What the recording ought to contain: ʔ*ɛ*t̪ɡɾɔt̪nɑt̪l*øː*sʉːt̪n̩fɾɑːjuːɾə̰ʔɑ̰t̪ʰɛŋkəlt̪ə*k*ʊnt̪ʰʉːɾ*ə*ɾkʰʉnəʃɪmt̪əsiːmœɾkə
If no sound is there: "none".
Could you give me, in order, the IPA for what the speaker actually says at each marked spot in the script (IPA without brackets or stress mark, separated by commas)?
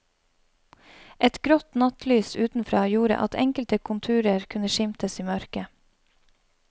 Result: ɛ, yː, kʰ, ə